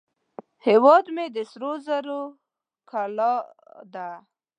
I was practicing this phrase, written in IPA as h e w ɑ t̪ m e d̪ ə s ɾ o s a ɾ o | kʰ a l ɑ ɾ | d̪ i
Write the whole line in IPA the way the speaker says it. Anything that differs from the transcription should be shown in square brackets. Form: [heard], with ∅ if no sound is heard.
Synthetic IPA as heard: h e w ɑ [d̪] m e d̪ ə s ɾ o [z] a ɾ o | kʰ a l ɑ [∅] | d̪ [a]